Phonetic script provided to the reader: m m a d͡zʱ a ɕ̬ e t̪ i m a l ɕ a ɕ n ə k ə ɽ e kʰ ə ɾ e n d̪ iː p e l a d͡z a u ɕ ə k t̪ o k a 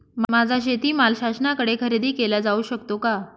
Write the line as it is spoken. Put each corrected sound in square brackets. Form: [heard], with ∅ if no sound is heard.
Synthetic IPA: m m a d͡zʱ a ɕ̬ e t̪ [iː] m a l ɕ a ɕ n [a] k ə ɽ e kʰ ə ɾ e [∅] d̪ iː [k] e l a d͡z a u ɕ ə k t̪ o k a